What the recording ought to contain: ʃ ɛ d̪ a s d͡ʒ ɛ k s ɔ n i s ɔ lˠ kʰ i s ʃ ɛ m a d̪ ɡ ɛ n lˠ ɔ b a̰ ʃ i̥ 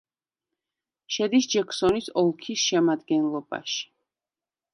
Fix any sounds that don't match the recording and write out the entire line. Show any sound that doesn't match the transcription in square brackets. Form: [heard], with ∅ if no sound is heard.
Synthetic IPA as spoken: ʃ ɛ d̪ [i] s d͡ʒ ɛ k s ɔ n i s ɔ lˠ kʰ i s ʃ ɛ m a d̪ ɡ ɛ n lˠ ɔ b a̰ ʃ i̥